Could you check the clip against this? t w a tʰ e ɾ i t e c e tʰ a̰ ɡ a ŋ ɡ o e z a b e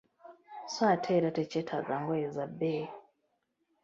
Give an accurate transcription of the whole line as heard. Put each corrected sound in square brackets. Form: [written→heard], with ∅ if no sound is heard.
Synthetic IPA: [t→s] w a tʰ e ɾ [i→a] t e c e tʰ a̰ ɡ a ŋ ɡ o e z a b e